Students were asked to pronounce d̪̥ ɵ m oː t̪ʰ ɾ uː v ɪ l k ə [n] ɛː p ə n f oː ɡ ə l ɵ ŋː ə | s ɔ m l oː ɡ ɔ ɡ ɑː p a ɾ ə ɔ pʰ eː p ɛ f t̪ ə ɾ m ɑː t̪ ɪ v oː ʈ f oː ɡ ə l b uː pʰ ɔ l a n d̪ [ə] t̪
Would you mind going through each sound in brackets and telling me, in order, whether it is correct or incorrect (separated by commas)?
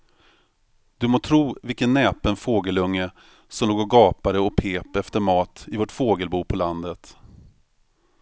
incorrect, correct